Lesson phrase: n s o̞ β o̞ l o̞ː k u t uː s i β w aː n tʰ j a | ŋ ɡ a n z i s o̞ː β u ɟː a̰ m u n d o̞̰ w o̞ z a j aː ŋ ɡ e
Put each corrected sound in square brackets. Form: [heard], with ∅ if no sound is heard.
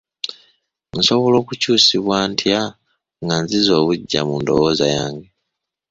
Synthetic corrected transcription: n s o̞ β o̞ l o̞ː k u [c] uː s i β w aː n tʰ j a | ŋ ɡ a n z i [z] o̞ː β u ɟː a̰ m u n d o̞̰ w o̞ z a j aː ŋ ɡ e